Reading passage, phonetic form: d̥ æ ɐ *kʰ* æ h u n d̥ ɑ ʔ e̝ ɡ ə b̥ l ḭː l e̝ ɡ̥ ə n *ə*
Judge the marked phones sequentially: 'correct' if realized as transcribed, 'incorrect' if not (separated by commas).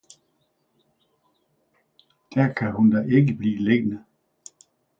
correct, correct